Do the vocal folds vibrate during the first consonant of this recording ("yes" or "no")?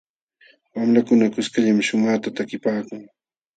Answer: yes